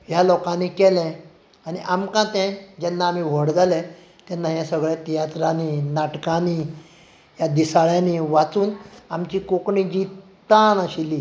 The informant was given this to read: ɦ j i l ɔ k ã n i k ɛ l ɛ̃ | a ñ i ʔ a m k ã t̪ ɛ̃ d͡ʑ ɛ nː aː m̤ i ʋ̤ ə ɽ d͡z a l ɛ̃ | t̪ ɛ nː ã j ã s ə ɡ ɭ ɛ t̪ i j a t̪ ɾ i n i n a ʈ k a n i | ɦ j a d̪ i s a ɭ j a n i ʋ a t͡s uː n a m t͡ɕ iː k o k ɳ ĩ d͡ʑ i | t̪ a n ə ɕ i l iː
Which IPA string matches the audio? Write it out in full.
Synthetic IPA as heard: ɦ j a l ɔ k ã n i k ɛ l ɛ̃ | a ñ i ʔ a m k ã t̪ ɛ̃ d͡ʑ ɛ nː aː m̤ i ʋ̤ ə ɽ d͡z a l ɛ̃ | t̪ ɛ nː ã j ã s ə ɡ ɭ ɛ t̪ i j a t̪ ɾ a n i n a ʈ k a n i | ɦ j a d̪ i s a ɭ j a n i ʋ a t͡s uː n a m t͡ɕ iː k o k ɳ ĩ d͡ʑ i | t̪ a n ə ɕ i l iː